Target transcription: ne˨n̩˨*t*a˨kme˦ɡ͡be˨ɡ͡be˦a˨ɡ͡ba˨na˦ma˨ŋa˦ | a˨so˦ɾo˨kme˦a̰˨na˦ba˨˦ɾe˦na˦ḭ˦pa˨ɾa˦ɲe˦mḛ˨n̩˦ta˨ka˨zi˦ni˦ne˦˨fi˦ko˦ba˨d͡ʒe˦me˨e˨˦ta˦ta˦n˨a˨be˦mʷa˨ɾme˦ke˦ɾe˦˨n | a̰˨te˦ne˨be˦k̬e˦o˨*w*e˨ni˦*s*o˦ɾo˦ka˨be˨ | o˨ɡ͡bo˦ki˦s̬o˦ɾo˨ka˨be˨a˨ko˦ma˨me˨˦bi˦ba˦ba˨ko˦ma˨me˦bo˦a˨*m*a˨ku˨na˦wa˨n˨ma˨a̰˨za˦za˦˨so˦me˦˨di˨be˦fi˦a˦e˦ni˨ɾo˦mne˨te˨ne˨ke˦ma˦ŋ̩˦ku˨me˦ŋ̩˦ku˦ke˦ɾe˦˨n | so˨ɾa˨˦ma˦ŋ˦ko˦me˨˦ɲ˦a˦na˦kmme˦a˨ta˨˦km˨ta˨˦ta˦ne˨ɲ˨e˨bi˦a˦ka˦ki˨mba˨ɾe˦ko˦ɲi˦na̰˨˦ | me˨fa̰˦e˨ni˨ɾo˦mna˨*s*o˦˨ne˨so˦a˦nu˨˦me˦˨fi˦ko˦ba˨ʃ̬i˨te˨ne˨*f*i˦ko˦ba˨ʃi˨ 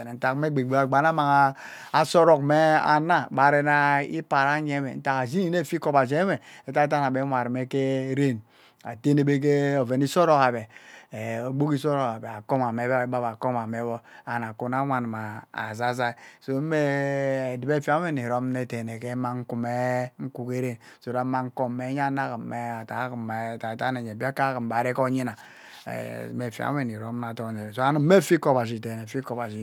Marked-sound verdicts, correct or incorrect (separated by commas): correct, incorrect, correct, incorrect, incorrect, correct